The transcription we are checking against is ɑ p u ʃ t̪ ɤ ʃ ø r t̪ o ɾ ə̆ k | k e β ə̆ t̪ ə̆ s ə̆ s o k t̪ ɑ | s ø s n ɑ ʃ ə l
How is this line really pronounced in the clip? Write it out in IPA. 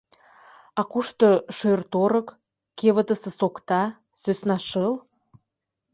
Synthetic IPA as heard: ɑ k u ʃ t̪ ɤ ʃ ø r t̪ o ɾ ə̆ k | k e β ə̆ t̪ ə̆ s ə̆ s o k t̪ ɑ | s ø s n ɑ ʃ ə l